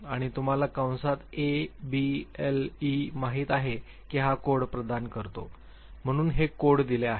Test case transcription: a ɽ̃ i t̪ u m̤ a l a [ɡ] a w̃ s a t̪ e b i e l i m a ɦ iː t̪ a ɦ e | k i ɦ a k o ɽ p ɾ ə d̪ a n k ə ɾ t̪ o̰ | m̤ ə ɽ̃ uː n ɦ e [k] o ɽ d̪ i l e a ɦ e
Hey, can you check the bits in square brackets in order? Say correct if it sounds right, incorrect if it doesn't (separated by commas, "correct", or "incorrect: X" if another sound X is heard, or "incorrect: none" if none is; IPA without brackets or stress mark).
incorrect: k, correct